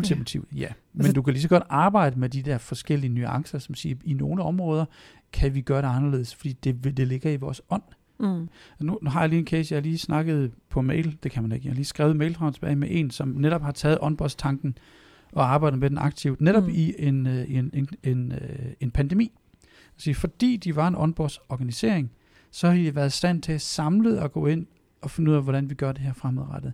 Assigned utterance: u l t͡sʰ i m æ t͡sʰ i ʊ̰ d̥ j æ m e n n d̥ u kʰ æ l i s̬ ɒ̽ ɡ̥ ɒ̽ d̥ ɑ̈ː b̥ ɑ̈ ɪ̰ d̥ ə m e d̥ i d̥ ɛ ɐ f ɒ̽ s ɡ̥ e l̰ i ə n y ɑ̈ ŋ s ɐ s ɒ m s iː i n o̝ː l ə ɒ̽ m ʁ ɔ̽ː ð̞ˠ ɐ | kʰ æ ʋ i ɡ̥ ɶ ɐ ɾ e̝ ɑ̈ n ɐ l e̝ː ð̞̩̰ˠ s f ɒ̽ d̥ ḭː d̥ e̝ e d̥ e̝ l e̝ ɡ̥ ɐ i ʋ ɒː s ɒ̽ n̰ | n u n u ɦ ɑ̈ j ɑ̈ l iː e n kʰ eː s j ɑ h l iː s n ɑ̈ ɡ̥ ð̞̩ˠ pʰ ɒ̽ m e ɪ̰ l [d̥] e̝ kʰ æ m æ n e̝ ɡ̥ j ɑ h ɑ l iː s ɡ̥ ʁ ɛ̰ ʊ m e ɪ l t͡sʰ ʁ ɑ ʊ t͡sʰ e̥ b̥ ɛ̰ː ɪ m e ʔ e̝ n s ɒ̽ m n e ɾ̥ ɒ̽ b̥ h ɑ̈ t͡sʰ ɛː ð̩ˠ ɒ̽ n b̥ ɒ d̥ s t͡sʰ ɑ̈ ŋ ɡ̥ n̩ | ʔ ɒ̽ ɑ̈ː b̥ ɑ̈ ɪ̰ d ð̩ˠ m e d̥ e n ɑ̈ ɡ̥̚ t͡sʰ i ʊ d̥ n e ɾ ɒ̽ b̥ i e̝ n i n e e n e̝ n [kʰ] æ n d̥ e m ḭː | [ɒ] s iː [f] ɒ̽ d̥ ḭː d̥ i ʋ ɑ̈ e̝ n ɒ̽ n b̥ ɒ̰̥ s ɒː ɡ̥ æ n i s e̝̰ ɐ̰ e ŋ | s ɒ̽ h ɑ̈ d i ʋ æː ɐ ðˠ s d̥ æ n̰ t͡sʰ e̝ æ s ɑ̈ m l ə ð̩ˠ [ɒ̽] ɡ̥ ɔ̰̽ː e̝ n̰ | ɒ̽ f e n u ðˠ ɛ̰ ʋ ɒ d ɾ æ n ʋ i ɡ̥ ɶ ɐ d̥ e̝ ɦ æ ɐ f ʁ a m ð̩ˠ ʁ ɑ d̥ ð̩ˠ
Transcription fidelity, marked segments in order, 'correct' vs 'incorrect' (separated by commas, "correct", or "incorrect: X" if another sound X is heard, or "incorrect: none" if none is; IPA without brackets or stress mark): correct, incorrect: pʰ, correct, correct, correct